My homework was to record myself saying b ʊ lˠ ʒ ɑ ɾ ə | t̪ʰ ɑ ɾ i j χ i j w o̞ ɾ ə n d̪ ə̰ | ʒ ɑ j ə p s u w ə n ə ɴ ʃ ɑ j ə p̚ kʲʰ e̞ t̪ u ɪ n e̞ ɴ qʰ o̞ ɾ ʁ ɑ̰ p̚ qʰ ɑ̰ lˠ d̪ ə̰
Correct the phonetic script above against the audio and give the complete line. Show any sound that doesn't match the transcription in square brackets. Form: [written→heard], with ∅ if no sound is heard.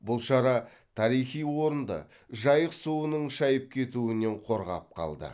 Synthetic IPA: b ʊ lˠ [ʒ→ʃ] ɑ ɾ [ə→ɑ] | t̪ʰ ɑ ɾ i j χ i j w o̞ ɾ ə n d̪ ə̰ | ʒ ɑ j ə [p→q] s u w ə n ə ɴ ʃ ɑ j ə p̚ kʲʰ e̞ t̪ u ɪ n e̞ ɴ qʰ o̞ ɾ ʁ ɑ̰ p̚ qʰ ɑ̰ lˠ d̪ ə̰

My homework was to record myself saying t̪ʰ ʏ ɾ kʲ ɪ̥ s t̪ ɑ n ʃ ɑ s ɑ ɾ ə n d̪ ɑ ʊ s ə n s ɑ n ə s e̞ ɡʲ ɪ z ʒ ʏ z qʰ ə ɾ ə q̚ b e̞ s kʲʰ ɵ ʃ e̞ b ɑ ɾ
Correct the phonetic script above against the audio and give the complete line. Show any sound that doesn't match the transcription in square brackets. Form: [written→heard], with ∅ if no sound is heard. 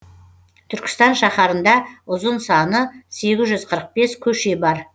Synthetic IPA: t̪ʰ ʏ ɾ kʲ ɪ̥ s t̪ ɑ n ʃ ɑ [s→χ] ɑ ɾ ə n d̪ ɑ ʊ [s→z] ə n s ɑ n ə s e̞ ɡʲ ɪ z ʒ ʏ z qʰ ə ɾ ə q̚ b e̞ s kʲʰ ɵ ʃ e̞ b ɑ ɾ

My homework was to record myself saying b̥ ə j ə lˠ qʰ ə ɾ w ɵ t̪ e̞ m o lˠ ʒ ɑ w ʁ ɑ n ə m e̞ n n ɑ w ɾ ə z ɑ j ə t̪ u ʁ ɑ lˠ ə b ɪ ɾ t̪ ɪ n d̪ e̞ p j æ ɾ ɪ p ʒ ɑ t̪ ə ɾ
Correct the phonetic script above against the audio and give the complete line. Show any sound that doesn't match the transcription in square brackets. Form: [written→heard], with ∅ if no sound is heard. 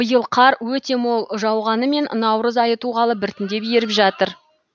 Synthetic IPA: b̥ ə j ə lˠ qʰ [ə→ɑ] ɾ w ɵ t̪ e̞ m o lˠ ʒ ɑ w ʁ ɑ n ə m e̞ n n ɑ w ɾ ə z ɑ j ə t̪ u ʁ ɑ lˠ ə b ɪ ɾ t̪ ɪ n d̪ e̞ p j [æ→e] ɾ ɪ p ʒ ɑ t̪ ə ɾ

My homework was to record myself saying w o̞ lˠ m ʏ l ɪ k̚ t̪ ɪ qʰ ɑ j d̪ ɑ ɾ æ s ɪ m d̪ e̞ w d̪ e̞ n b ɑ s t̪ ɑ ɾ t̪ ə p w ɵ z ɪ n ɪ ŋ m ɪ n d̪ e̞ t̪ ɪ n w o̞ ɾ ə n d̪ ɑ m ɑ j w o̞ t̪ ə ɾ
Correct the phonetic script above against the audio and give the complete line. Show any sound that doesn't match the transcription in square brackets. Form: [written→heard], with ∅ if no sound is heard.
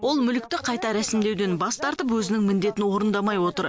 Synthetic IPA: w o̞ lˠ m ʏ l ɪ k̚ t̪ ɪ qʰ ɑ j [d̪→t̪] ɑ ɾ æ s ɪ m d̪ e̞ w d̪ e̞ n b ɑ s t̪ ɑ ɾ t̪ ə p w ɵ z ɪ n ɪ ŋ m ɪ n d̪ e̞ t̪ ɪ n w o̞ ɾ ə n d̪ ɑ m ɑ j w o̞ t̪ ə ɾ

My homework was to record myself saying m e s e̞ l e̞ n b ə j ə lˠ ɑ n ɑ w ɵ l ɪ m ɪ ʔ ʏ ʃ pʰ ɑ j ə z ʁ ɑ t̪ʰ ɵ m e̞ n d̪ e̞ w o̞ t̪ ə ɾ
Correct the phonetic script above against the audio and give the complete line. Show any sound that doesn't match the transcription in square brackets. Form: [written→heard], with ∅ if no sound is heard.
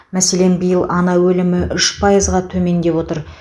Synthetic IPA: m [e→æ] s e̞ l e̞ n b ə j ə lˠ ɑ n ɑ w ɵ l ɪ m ɪ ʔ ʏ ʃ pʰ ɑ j ə z ʁ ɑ t̪ʰ ɵ m e̞ n d̪ e̞ w o̞ t̪ ə ɾ

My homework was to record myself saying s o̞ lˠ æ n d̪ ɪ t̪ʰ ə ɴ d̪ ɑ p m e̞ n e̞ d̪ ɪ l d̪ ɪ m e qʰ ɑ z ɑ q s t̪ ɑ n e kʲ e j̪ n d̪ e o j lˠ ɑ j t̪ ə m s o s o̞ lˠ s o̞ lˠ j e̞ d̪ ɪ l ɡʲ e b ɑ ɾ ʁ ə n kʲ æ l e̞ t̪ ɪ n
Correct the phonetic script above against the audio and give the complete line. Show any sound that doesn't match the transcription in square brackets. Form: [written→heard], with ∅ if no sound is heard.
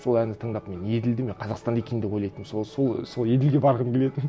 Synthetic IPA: s o̞ lˠ æ n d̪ ɪ t̪ʰ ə ɴ d̪ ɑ p m e̞ n e̞ d̪ ɪ l d̪ ɪ m e qʰ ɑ z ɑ q s t̪ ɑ n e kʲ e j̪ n d̪ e o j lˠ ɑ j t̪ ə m s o s o̞ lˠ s o̞ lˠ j e̞ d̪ ɪ l ɡʲ e b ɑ ɾ ʁ ə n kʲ [æ→e] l e̞ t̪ ɪ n

